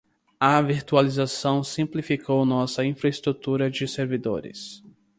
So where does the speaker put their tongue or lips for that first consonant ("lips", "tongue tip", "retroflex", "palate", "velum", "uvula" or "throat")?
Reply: lips